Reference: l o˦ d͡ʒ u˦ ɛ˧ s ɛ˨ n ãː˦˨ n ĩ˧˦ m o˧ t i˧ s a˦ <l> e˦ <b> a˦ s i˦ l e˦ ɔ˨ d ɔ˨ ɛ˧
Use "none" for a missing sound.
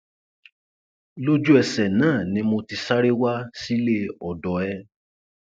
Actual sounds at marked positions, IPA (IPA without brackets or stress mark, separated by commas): ɾ, w